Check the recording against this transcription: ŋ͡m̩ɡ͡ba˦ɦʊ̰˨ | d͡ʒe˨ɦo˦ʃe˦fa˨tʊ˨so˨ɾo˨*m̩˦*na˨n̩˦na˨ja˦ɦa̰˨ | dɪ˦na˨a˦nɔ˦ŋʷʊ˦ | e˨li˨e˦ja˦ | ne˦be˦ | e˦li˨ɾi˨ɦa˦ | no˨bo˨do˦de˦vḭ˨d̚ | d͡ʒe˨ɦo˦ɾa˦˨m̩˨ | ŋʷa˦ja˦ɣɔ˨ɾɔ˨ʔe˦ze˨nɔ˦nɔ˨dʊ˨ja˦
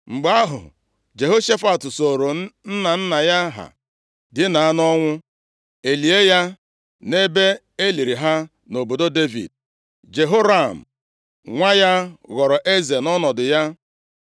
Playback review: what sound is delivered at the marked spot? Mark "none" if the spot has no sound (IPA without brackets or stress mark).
n̩˦